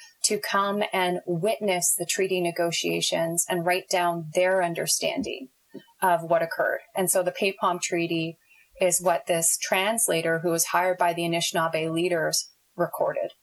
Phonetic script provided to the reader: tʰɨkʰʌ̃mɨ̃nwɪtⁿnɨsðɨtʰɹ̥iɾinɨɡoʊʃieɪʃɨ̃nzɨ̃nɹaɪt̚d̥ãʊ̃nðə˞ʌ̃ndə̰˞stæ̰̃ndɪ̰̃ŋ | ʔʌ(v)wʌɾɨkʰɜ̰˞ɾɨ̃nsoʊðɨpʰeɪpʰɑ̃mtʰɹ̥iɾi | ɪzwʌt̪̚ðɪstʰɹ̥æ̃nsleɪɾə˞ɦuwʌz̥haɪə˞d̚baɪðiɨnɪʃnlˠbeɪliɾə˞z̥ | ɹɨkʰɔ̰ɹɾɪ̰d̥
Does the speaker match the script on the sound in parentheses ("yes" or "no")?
yes